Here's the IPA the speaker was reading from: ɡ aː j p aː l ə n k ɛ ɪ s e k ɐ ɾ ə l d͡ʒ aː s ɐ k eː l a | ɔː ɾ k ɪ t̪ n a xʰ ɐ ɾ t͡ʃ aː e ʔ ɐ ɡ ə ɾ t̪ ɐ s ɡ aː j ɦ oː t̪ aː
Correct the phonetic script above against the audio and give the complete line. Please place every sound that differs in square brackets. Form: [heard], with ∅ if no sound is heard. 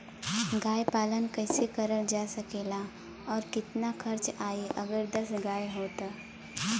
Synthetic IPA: ɡ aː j p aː l ə n k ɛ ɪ s e k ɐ ɾ ə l d͡ʒ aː s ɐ k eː l a | ɔː ɾ k ɪ t̪ n a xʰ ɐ ɾ t͡ʃ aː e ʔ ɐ ɡ ə ɾ [d̪] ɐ s ɡ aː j ɦ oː t̪ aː

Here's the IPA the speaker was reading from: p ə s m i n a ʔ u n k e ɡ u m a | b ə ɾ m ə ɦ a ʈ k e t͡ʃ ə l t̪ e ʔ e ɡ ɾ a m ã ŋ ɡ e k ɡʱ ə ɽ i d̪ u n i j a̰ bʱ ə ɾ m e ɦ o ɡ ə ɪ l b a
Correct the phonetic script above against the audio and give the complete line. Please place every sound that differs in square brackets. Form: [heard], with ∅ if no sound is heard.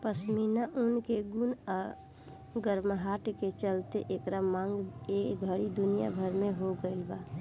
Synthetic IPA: p ə s m i n a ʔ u n k e ɡ u [n] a | [ɡ] ə ɾ m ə ɦ a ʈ k e t͡ʃ ə l t̪ e ʔ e [k] ɾ a m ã ŋ ɡ e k ɡʱ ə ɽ i d̪ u n i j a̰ bʱ ə ɾ m e ɦ o ɡ ə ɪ l b a

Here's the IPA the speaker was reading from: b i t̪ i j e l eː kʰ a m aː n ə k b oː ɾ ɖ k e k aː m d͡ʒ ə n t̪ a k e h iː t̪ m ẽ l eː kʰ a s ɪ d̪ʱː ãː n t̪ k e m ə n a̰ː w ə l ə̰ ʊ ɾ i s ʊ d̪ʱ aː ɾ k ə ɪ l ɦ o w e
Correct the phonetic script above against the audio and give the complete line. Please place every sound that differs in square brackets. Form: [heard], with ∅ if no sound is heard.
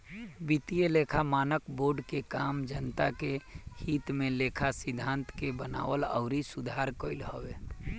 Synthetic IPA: b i t̪ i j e l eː kʰ a m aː n ə k b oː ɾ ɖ k e k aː m d͡ʒ ə n t̪ a k e h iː t̪ m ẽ l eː kʰ a s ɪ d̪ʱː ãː n t̪ k e [b] ə n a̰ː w ə l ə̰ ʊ ɾ i s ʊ d̪ʱ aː ɾ k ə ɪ l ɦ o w e

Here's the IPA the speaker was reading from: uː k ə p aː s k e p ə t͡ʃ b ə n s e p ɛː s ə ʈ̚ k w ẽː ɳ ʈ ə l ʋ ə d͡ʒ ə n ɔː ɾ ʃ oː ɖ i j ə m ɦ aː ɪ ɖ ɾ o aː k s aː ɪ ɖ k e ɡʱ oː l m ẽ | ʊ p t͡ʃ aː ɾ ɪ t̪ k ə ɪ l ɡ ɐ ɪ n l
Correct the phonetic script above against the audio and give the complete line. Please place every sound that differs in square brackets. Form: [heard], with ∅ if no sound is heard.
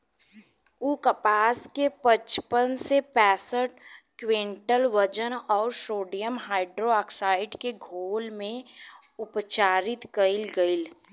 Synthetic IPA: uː k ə p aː s k e p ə t͡ʃ [p] ə n s e p ɛː s ə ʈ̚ k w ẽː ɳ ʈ ə l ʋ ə d͡ʒ ə n ɔː ɾ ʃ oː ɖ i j ə m ɦ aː ɪ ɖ ɾ o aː k s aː ɪ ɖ k e ɡʱ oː l m ẽ | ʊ p t͡ʃ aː ɾ ɪ t̪ k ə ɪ l ɡ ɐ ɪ [∅] l

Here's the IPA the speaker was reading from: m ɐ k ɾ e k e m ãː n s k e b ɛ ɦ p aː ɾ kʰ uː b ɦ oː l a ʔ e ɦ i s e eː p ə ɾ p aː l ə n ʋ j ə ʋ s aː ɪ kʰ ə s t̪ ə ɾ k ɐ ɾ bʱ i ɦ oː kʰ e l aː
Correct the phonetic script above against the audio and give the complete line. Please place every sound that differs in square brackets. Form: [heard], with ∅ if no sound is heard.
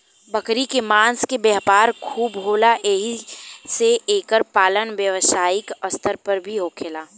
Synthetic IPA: [b] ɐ k ɾ [i] k e m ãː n s k e b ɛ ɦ p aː ɾ kʰ uː b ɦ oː l a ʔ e ɦ i s e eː [k] ə ɾ p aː l ə n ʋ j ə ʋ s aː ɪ [k] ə s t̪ ə ɾ [p] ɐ ɾ bʱ i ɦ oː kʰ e l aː

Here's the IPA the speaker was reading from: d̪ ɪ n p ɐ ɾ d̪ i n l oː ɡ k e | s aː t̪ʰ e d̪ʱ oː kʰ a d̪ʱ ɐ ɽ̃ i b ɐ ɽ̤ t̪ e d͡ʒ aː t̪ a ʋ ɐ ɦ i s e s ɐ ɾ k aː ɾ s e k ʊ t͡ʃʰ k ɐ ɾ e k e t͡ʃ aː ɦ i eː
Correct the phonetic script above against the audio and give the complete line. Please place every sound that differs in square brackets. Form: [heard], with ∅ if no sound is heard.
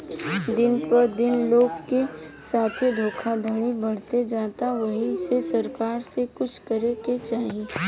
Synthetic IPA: d̪ ɪ n p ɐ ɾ d̪ [ɪ] n l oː ɡ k e | s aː t̪ʰ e d̪ʱ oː kʰ a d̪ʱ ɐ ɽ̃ i b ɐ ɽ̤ t̪ e d͡ʒ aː t̪ a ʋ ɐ ɦ i s e s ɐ ɾ k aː ɾ s e k ʊ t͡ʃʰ k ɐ ɾ e k e t͡ʃ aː ɦ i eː

